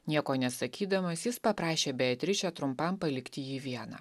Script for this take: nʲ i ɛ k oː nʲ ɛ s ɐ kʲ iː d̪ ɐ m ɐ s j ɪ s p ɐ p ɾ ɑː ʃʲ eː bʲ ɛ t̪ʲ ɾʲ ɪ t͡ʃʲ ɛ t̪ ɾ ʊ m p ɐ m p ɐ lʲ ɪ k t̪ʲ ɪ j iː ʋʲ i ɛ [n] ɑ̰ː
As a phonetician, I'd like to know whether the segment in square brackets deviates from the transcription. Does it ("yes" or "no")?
no